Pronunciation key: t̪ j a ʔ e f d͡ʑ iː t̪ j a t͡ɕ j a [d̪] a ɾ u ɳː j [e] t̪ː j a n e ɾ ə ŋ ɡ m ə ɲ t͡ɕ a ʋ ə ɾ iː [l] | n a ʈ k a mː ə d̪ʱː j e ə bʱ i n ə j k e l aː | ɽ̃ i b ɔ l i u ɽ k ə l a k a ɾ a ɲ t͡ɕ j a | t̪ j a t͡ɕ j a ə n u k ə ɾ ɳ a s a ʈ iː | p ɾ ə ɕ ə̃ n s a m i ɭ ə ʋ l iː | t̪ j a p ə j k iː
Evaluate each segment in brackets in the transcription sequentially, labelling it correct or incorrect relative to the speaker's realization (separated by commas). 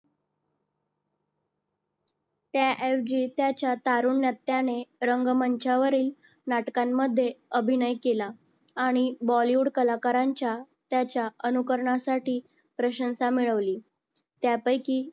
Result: incorrect, incorrect, correct